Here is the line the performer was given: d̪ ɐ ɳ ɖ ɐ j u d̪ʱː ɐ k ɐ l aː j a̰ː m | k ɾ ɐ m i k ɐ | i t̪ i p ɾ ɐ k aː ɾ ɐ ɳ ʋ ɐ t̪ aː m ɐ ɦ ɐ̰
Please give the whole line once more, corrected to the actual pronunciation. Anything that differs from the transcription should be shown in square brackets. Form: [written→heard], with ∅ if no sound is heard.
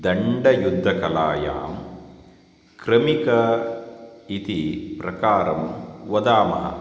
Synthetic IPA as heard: d̪ ɐ ɳ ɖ ɐ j u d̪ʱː ɐ k ɐ l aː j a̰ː m | k ɾ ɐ m i k ɐ | i t̪ i p ɾ ɐ k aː ɾ ɐ [ɳ→m] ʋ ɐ [t̪→d̪] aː m ɐ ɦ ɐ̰